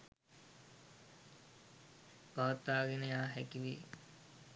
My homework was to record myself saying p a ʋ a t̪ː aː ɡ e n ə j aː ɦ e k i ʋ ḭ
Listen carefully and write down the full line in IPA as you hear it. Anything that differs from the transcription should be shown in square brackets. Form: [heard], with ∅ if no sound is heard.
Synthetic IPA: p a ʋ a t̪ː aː ɡ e n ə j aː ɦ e k i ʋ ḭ